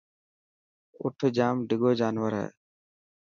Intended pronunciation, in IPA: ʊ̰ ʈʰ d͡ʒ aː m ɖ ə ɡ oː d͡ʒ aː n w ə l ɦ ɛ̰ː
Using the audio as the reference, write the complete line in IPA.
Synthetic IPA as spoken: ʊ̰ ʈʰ d͡ʒ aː m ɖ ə ɡ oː d͡ʒ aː n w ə ɾ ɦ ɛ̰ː